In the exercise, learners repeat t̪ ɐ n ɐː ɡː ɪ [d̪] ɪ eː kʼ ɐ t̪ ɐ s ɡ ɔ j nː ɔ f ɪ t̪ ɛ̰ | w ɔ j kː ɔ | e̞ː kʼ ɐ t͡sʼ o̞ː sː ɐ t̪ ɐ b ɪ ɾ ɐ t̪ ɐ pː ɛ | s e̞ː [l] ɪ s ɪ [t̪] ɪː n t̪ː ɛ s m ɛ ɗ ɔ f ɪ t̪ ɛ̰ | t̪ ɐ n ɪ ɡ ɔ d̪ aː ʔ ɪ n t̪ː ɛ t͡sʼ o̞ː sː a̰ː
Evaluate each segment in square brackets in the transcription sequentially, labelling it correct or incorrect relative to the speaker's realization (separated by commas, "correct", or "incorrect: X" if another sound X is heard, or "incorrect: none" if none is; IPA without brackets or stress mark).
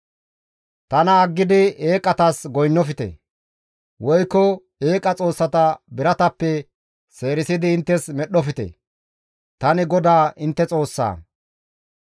correct, incorrect: ɾ, incorrect: d̪